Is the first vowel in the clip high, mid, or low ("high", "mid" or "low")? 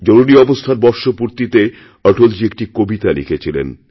mid